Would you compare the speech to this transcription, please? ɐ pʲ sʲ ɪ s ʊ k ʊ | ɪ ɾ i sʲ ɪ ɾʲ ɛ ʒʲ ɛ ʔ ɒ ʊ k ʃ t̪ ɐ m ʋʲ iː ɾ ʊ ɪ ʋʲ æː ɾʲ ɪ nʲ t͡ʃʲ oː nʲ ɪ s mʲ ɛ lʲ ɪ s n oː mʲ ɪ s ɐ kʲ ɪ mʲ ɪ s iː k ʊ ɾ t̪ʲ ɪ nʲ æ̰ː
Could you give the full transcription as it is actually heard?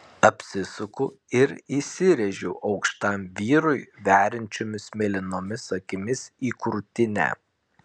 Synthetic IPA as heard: ɐ pʲ sʲ ɪ s ʊ k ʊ | ɪ ɾ i sʲ ɪ ɾʲ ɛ ʒʲ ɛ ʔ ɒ ʊ k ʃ t̪ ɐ m ʋʲ iː ɾ ʊ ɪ ʋʲ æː ɾʲ ɪ nʲ t͡ʃʲ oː mʲ ɪ s mʲ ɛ lʲ ɪ n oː mʲ ɪ s ɐ kʲ ɪ mʲ ɪ s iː k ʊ ɾ t̪ʲ ɪ nʲ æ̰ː

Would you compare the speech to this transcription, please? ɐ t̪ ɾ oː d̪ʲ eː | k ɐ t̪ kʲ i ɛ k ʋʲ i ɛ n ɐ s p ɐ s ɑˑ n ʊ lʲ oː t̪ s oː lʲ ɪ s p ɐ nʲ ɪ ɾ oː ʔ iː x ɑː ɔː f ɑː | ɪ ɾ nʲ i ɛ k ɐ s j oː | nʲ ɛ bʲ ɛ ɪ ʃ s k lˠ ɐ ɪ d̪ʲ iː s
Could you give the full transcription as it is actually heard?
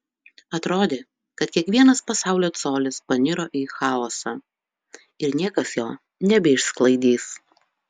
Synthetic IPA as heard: ɐ t̪ ɾ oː d̪ʲ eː | k ɐ t̪ kʲ i ɛ k ʋʲ i ɛ n ɐ s p ɐ s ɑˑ ʊ lʲ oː t̪ s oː lʲ ɪ s p ɐ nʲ ɪ ɾ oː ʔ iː x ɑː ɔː s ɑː | ɪ ɾ nʲ i ɛ k ɐ s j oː | nʲ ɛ bʲ ɛ ɪ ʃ s k lˠ ɐ ɪ d̪ʲ iː s

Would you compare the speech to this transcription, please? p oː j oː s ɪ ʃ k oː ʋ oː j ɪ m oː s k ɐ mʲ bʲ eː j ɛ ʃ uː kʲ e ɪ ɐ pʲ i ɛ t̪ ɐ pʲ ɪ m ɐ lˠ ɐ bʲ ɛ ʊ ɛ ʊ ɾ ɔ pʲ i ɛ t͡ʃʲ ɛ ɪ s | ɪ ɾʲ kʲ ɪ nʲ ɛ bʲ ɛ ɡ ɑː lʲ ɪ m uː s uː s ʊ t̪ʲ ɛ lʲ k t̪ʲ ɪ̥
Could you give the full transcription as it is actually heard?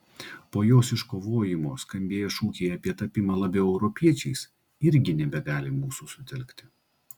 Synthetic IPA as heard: p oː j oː s ɪ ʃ k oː ʋ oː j ɪ m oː s k ɐ mʲ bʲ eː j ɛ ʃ uː kʲ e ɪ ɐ pʲ i ɛ t̪ ɐ pʲ ɪ m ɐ lˠ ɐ bʲ ɛ ʊ ɛ ʊ ɾ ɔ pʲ i ɛ t͡ʃʲ ɛ ɪ s | ɪ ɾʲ ɡʲ ɪ nʲ ɛ bʲ ɛ ɡ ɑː lʲ ɪ m uː s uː s ʊ t̪ʲ ɛ lʲ k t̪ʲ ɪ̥

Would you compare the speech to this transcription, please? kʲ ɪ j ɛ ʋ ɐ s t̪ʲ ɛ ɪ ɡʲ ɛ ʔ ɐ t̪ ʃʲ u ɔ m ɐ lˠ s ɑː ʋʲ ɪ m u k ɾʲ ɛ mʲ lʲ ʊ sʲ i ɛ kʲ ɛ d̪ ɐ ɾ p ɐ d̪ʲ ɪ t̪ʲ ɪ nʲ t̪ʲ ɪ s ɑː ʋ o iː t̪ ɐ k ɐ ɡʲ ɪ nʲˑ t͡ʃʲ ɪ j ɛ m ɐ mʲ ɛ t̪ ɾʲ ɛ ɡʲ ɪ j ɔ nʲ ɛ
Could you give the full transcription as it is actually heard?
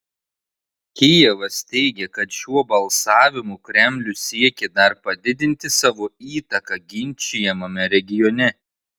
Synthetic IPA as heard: kʲ ɪ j ɛ ʋ ɐ s t̪ʲ ɛ ɪ ɡʲ ɛ k ɐ t̪ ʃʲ u ɔ b ɐ lˠ s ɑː ʋʲ ɪ m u k ɾʲ ɛ mʲ lʲ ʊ sʲ i ɛ kʲ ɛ d̪ ɐ ɾ p ɐ d̪ʲ ɪ d̪ʲ ɪ nʲ t̪ʲ ɪ s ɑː ʋ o iː t̪ ɐ k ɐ ɡʲ ɪ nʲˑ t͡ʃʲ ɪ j ɛ m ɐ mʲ ɛ ɾʲ ɛ ɡʲ ɪ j ɔ nʲ ɛ

